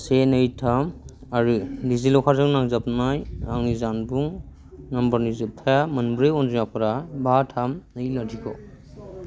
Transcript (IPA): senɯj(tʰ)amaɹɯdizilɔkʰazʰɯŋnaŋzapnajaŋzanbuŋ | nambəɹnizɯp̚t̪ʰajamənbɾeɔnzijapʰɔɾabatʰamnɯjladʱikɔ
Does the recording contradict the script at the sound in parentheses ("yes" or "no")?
no